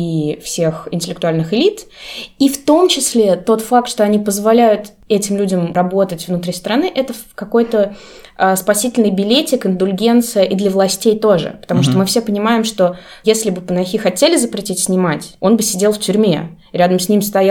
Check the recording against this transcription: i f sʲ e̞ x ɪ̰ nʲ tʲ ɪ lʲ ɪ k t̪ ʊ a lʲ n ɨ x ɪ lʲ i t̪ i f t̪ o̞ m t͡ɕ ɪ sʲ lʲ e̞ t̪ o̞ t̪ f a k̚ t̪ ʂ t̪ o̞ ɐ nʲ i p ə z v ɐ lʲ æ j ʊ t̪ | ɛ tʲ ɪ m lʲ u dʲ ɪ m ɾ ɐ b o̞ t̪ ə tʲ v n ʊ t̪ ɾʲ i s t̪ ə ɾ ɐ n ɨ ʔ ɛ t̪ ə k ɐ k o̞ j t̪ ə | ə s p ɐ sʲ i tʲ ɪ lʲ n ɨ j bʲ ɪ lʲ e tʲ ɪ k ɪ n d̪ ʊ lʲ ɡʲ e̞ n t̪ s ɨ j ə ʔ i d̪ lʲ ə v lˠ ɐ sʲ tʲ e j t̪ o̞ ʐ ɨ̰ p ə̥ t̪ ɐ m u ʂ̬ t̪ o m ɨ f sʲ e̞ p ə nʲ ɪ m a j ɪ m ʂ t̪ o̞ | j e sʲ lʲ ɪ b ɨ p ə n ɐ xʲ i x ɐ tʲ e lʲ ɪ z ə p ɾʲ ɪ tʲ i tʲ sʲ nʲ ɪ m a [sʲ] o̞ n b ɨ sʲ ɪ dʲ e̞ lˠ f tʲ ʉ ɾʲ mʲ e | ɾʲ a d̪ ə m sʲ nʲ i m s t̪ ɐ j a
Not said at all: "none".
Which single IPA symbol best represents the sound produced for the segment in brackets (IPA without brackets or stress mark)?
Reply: tʲ